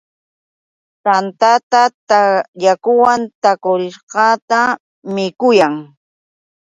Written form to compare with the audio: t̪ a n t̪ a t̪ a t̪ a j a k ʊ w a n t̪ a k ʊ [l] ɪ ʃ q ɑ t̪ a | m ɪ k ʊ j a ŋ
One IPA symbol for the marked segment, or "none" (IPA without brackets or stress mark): ɾ